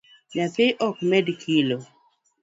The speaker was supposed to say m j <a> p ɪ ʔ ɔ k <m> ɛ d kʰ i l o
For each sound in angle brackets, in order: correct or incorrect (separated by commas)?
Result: correct, correct